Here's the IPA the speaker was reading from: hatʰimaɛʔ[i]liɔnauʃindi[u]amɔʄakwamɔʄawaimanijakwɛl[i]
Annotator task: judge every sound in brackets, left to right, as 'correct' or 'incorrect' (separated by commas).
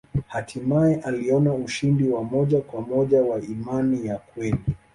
incorrect, incorrect, correct